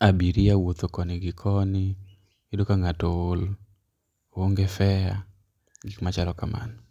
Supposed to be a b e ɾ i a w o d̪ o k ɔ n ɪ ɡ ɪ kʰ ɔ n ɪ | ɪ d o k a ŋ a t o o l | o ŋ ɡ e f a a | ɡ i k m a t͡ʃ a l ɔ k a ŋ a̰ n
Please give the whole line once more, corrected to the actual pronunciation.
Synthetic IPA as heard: a b i ɾ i a w o t̪ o k ɔ n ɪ ɡ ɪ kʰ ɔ n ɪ | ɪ d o k a ŋ a t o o l | o ŋ ɡ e f ɛ a | ɡ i k m a t͡ʃ a l ɔ k a m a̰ n